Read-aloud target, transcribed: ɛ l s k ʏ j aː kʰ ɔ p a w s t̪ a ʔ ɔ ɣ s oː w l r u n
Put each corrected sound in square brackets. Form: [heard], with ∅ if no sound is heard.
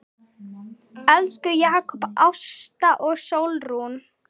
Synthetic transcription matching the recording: ɛ l s k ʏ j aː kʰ ɔ p a w s t̪ a ʔ ɔ ɣ s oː w l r u n